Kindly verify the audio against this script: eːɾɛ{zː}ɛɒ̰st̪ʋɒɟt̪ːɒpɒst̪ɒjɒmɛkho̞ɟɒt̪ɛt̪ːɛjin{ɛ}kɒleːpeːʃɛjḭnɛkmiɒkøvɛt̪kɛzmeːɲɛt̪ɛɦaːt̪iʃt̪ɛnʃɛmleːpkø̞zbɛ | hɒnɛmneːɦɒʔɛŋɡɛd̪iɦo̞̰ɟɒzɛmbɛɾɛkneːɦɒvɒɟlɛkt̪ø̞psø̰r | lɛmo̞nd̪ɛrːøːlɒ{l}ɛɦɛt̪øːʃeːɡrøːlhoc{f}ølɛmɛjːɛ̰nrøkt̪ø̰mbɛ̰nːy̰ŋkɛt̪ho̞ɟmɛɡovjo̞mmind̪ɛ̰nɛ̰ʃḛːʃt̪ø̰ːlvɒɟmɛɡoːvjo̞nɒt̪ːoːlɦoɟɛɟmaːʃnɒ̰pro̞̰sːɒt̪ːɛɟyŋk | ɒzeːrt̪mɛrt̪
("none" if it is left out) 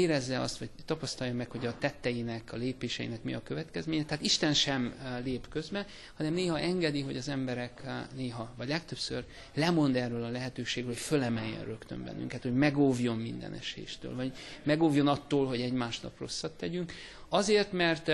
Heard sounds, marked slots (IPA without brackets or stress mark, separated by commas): zː, ɛ, l, f